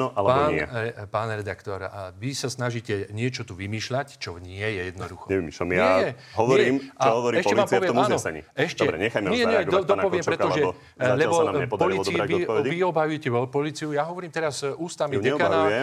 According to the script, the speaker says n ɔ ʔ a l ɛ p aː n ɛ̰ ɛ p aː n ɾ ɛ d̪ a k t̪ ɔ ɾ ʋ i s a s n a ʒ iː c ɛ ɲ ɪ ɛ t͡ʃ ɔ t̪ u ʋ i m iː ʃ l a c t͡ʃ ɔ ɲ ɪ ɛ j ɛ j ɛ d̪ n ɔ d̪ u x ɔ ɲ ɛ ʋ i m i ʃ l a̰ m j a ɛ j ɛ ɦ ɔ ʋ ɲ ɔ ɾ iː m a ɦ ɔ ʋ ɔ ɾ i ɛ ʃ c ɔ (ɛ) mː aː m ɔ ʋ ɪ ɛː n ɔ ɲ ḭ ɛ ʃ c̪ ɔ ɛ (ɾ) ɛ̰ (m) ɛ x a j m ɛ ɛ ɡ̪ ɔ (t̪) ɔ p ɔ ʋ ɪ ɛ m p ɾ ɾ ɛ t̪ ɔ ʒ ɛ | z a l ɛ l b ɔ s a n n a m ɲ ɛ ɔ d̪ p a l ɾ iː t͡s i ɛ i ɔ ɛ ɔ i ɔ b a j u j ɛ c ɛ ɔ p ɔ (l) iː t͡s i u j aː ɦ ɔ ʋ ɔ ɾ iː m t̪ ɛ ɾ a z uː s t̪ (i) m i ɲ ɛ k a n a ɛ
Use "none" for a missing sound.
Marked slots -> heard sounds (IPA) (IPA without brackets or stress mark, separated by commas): ɛ, ɾ, ɲ, d̪, l, a